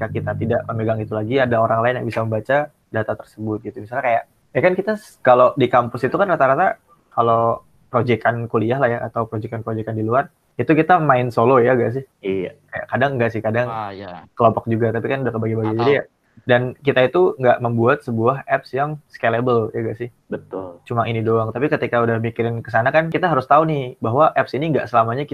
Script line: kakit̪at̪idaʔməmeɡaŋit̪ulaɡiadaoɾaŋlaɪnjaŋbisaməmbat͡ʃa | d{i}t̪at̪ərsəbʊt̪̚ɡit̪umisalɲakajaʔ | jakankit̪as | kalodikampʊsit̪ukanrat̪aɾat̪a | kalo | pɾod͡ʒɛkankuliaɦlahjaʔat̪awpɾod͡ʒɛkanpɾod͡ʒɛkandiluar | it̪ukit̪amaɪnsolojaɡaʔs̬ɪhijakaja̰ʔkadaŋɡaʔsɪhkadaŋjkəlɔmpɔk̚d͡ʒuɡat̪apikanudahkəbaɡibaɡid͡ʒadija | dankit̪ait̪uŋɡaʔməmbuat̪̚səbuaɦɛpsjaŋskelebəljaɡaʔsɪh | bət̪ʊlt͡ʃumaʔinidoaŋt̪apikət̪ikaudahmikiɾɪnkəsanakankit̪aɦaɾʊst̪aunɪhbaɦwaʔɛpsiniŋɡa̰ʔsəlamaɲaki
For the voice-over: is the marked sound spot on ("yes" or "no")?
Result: no